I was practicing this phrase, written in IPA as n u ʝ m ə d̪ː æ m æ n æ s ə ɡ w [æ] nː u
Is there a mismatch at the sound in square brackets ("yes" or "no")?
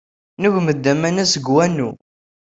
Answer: no